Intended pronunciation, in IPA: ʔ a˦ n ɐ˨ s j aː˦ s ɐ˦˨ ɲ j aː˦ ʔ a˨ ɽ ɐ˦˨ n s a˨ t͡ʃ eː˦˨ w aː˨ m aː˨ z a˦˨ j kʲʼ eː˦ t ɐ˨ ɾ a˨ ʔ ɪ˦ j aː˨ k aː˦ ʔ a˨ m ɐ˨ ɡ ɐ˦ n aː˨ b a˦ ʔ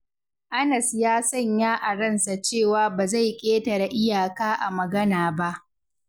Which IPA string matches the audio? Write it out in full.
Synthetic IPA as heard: ʔ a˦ n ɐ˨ s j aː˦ s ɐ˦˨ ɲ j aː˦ ʔ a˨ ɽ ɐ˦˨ n s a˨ t͡ʃ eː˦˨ w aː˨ b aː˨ z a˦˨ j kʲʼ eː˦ t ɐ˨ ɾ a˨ ʔ ɪ˦ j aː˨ k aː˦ ʔ a˨ m ɐ˨ ɡ ɐ˦ n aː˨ b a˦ ʔ